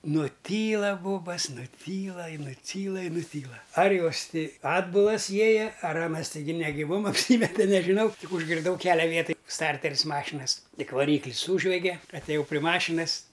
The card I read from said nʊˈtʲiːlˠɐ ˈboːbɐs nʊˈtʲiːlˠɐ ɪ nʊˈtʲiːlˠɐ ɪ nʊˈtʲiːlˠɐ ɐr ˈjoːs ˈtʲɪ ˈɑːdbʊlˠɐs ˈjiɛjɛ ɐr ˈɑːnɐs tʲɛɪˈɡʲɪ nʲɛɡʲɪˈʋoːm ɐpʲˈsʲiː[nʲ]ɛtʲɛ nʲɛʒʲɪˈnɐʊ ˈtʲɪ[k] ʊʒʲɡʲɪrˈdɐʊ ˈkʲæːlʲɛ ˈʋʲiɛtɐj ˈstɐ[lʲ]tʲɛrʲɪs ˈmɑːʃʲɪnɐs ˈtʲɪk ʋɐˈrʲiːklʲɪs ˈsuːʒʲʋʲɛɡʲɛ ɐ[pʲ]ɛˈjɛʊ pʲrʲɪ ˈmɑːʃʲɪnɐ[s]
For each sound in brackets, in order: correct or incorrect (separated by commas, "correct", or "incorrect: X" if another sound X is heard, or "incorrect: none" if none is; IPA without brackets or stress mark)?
incorrect: mʲ, correct, incorrect: rʲ, incorrect: tʲ, correct